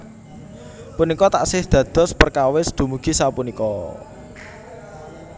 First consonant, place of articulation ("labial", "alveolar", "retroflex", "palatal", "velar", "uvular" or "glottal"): labial